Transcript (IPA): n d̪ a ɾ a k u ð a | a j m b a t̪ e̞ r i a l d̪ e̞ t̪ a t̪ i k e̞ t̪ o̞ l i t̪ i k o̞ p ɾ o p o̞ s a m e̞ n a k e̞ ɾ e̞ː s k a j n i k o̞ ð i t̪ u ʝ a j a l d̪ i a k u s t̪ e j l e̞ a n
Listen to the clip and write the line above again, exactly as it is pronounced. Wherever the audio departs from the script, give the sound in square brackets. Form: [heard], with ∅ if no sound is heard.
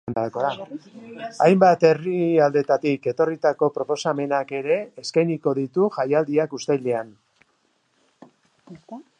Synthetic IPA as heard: n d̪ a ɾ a k [o] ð a | a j m b a t̪ e̞ r i a l d̪ e̞ t̪ a t̪ i k e̞ t̪ o̞ [r] i t̪ [a] k o̞ p ɾ o p o̞ s a m e̞ n a k e̞ ɾ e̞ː s k a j n i k o̞ ð i t̪ u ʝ a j a l d̪ i a k u s t̪ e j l e̞ a n